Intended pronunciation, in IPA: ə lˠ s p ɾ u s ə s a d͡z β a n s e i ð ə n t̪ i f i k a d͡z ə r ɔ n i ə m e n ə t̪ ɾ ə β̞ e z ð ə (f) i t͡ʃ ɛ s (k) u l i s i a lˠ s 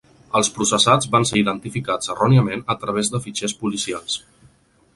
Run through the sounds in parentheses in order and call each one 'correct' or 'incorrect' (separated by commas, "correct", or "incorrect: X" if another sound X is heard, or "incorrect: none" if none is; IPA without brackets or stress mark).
correct, incorrect: p